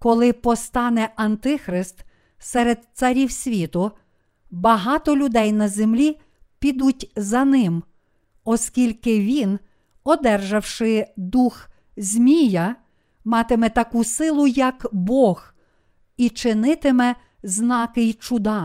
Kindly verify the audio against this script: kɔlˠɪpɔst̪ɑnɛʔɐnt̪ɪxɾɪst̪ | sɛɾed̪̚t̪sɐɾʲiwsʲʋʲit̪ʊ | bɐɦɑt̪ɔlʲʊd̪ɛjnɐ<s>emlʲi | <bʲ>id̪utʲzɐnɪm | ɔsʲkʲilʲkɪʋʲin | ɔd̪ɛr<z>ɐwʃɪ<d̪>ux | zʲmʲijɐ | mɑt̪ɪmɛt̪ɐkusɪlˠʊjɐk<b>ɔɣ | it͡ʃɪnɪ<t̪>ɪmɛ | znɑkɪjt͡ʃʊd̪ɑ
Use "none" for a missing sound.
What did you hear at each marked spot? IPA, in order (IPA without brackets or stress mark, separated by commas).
z, pʲ, ʒ, d̪, b, t̪